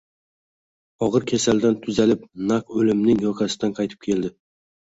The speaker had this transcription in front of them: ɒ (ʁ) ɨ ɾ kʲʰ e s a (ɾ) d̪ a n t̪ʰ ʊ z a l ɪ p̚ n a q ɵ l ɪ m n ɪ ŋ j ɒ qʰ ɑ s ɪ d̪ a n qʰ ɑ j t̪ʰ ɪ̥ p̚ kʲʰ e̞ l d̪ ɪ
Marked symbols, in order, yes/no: yes, no

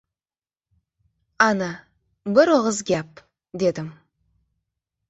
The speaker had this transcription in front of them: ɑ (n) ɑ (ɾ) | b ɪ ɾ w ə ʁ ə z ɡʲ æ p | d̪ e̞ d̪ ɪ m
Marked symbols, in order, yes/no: yes, no

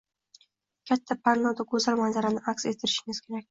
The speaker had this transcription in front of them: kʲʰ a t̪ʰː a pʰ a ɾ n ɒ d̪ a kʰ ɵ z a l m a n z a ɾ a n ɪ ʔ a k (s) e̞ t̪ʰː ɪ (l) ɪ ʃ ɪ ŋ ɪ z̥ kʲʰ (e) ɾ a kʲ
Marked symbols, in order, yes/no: yes, no, yes

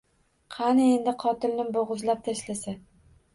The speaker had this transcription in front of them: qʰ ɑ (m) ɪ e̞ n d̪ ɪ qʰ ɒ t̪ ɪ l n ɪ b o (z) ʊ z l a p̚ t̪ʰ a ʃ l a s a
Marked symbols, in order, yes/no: no, no

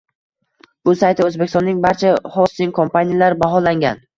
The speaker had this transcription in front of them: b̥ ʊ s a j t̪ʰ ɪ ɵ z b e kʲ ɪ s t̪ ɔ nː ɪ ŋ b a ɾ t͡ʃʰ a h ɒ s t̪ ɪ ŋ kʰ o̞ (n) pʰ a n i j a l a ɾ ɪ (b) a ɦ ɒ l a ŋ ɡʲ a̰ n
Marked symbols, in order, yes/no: no, yes

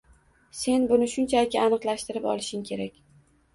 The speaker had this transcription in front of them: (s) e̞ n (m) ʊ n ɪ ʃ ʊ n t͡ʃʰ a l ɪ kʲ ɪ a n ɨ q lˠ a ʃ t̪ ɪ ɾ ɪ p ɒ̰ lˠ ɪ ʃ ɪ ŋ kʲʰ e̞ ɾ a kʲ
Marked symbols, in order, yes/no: yes, no

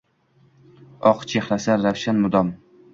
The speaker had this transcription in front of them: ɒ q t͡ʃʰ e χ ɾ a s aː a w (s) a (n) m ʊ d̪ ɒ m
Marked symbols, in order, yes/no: no, yes

